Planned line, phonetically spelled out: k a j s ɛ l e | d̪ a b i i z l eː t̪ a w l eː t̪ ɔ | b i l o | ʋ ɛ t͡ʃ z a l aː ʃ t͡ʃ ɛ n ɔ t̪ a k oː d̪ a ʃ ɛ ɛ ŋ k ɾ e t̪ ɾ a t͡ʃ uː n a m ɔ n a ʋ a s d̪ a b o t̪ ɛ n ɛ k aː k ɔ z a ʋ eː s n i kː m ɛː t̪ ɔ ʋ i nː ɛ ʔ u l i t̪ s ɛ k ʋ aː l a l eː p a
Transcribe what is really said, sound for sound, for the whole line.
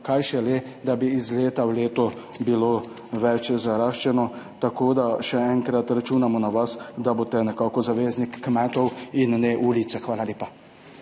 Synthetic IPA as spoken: k a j ʃ ɛ l e | d̪ a b i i z l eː t̪ a w l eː t̪ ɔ | b i l o | ʋ ɛ t͡ʃ z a ɾ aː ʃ t͡ʃ ɛ n ɔ t̪ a k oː d̪ a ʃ ɛ ɛ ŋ k ɾ a t̪ ɾ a t͡ʃ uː n a m ɔ n a ʋ a s d̪ a b o t̪ ɛ n ɛ k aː k ɔ z a ʋ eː z n i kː m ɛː t̪ ɔ w i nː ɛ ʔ u l i t̪ s ɛ x ʋ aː l a l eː p a